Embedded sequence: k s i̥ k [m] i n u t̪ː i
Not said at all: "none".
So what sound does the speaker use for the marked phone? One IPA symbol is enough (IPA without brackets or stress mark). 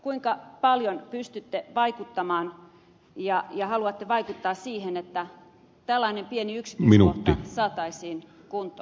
m